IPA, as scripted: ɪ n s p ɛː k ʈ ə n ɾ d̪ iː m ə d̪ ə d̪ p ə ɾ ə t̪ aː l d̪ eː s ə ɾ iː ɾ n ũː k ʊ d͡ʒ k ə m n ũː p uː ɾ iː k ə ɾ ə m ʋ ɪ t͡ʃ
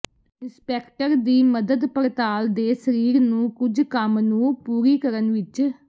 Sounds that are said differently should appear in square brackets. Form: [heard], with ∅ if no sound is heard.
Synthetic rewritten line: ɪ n s p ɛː k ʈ ə [∅] ɾ d̪ iː m ə d̪ ə d̪ p ə ɾ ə t̪ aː l d̪ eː s ə ɾ iː ɾ n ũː k ʊ d͡ʒ k ə m n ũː p uː ɾ iː k ə ɾ ə [n] ʋ ɪ t͡ʃ